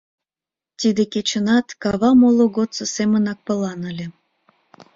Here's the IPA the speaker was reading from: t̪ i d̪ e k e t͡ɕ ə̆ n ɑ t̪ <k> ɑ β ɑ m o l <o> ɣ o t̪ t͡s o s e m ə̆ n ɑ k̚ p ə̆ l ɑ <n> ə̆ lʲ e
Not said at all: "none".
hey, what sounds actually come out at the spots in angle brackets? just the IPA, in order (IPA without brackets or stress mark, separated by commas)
k, o, n